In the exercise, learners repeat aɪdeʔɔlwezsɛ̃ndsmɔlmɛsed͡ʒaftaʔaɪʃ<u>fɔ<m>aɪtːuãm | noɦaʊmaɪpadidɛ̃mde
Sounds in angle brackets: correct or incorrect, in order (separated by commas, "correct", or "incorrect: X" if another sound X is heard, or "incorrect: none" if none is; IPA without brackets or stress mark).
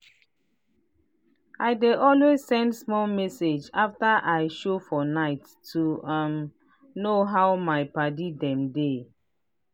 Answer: incorrect: o, incorrect: n